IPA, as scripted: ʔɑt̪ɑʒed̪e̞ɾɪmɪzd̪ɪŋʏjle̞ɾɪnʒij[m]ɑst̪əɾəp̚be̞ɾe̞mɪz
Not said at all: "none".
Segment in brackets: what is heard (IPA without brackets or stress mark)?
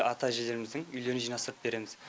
n